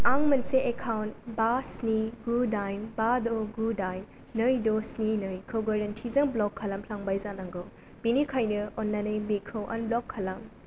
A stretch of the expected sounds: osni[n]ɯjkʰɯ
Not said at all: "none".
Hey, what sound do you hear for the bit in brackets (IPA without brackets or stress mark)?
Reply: n